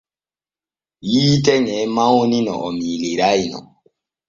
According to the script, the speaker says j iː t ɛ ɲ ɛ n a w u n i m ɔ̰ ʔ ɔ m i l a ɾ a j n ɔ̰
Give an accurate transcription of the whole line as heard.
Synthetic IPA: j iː t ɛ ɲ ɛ m a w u n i n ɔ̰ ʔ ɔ m i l i ɾ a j n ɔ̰